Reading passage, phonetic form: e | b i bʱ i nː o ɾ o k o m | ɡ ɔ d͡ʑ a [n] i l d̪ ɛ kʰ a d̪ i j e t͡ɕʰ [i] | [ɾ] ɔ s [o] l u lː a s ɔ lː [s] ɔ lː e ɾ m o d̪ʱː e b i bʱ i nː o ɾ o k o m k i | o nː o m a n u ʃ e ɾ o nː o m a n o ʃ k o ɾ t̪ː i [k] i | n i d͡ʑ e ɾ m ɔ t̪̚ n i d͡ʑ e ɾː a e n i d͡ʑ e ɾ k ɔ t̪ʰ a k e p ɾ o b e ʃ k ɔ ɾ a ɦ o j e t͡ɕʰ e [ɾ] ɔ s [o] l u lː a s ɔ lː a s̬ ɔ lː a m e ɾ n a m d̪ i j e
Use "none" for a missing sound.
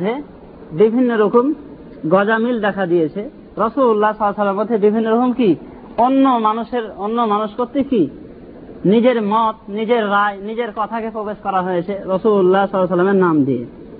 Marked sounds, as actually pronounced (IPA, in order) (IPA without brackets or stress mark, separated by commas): m, e, ɾ, u, s, k, ɾ, u